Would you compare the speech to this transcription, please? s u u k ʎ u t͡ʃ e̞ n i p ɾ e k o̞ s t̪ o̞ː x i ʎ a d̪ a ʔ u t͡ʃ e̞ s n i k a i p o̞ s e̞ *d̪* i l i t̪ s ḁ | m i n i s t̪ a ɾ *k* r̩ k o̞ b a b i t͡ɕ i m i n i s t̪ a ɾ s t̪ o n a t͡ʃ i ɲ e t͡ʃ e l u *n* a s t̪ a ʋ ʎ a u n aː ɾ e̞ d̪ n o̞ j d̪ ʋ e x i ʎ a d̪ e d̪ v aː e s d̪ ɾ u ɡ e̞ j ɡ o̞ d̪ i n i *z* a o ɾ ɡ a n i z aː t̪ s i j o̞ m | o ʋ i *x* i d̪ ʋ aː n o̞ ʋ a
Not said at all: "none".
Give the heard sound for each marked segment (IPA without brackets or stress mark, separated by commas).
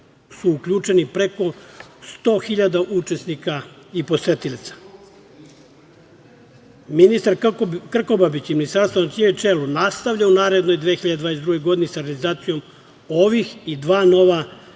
t̪, k, n, s, x